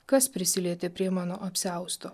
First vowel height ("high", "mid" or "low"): low